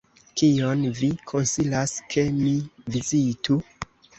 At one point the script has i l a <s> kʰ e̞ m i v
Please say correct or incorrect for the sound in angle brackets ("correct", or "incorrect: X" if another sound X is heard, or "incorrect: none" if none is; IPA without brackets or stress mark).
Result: correct